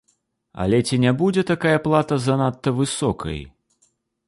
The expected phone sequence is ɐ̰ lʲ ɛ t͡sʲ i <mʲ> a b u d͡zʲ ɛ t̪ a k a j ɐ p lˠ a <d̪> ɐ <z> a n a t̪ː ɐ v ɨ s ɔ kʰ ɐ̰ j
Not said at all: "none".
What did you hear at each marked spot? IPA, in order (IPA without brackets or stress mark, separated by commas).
nʲ, t̪, z